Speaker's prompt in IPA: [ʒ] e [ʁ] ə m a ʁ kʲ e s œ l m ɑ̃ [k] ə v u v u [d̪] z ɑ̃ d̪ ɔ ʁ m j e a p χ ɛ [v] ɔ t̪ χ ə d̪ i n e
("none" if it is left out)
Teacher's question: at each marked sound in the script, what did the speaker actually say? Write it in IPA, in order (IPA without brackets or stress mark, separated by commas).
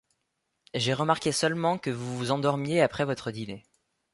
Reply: ʒ, ʁ, k, none, v